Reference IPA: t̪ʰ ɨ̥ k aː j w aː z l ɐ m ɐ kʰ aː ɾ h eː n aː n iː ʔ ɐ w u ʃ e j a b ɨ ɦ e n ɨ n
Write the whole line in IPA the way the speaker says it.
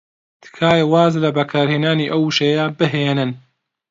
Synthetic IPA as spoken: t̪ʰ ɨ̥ kʰ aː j w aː z l ɐ b ɐ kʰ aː ɾ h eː n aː n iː ʔ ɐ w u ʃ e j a b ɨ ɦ e n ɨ n